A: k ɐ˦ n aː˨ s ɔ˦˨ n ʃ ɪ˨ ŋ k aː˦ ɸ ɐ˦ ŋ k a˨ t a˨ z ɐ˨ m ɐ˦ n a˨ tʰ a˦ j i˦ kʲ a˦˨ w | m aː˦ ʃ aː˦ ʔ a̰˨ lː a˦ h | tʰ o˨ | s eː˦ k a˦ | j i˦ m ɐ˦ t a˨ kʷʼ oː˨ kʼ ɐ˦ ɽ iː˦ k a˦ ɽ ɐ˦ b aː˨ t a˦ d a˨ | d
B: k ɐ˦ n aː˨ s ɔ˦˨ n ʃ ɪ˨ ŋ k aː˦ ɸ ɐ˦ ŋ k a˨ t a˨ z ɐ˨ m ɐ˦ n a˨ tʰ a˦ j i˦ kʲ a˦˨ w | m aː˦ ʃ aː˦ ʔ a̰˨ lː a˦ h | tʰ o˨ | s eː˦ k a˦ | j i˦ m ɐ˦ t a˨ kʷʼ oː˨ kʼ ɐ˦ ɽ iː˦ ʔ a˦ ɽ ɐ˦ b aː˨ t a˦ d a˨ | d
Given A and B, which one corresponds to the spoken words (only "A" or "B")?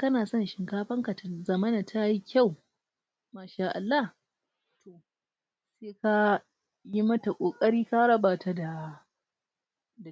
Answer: A